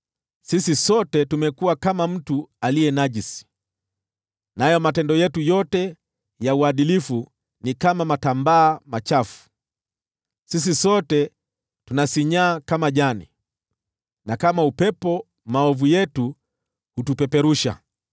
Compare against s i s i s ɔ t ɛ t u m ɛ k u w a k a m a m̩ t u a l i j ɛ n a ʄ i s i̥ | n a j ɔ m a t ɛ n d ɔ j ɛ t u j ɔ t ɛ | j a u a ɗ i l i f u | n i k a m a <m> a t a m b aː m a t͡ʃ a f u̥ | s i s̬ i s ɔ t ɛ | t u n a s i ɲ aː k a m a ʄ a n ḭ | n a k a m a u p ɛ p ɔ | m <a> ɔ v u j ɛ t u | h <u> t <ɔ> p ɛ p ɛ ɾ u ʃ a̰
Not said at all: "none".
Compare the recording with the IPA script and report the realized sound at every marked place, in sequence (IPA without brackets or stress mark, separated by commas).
m, a, u, u